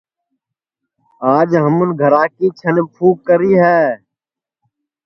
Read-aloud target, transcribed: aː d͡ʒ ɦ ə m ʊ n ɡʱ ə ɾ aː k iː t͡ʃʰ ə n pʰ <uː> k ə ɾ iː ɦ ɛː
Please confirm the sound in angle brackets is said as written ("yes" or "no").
yes